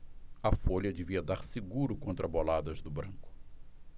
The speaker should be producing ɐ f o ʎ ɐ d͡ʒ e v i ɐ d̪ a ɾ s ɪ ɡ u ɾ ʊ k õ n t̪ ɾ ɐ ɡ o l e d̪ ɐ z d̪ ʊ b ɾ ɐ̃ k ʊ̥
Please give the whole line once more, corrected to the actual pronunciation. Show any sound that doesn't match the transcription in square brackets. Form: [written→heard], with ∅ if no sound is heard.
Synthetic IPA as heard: ɐ f o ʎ ɐ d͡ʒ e v i ɐ d̪ a ɾ s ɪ ɡ u ɾ ʊ k õ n t̪ ɾ ɐ [ɡ→b] o l [e→a] d̪ ɐ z d̪ ʊ b ɾ ɐ̃ k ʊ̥